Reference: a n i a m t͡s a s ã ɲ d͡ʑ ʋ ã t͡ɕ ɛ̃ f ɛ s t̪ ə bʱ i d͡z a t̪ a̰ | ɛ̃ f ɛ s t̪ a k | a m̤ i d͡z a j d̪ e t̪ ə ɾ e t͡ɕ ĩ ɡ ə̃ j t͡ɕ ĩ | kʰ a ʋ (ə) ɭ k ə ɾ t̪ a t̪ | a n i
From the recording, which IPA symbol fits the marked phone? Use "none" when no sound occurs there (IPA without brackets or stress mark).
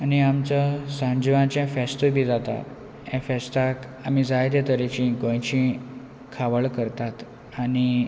ə